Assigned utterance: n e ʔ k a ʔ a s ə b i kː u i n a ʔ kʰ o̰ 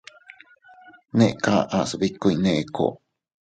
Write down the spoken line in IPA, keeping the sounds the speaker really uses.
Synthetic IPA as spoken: n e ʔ k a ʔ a s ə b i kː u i n e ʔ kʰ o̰